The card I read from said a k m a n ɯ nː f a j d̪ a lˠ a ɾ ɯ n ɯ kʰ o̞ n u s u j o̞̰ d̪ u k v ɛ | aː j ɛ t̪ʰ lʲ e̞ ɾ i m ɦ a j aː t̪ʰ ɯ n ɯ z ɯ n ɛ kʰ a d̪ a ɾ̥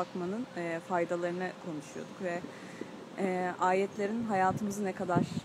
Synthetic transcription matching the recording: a k m a n ɯ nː f a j d̪ a lˠ a ɾ ɯ n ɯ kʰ o̞ n u ʃ u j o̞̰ d̪ u k v ɛ | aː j ɛ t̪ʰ lʲ e̞ ɾ i n ɦ a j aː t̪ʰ ɯ m ɯ z ɯ n ɛ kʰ a d̪ a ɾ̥